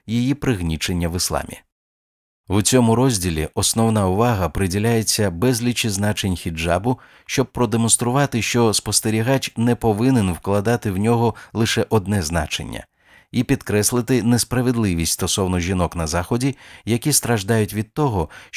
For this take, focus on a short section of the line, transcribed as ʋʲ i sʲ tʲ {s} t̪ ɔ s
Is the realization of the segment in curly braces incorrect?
no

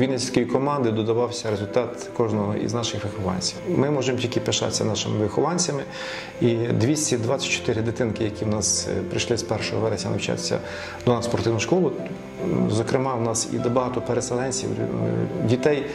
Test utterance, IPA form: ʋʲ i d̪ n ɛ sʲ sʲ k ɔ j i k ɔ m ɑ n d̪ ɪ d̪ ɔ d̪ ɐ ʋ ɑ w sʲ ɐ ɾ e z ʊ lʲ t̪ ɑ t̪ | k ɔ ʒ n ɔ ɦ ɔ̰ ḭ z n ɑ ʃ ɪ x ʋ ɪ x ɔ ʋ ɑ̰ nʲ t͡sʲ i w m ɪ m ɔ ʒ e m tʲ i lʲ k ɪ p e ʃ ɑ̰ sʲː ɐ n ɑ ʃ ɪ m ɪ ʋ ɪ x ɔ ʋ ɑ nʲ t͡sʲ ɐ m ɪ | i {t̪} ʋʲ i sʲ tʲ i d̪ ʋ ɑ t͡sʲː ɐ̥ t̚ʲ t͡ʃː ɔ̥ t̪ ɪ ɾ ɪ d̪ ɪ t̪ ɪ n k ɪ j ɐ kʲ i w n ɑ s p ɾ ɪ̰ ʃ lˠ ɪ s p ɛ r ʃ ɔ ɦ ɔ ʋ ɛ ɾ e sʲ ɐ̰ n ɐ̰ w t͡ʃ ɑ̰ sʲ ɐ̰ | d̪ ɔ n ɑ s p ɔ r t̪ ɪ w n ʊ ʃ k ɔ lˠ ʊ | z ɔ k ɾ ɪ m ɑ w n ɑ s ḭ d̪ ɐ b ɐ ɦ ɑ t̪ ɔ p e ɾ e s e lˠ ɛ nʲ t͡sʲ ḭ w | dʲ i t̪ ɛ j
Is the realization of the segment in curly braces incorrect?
yes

